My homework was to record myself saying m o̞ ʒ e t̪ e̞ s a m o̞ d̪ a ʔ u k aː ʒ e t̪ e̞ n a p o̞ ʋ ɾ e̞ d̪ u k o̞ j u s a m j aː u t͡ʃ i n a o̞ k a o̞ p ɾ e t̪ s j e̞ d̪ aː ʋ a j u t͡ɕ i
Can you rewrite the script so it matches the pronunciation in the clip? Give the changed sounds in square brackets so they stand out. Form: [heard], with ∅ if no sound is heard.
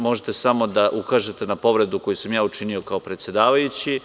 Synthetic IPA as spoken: m o̞ ʒ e t̪ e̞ s a m o̞ d̪ a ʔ u k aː ʒ e t̪ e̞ n a p o̞ ʋ ɾ e̞ d̪ u k o̞ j u s a m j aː u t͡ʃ i n [i] o̞ k a o̞ p ɾ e t̪ s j e̞ d̪ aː ʋ a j u t͡ɕ i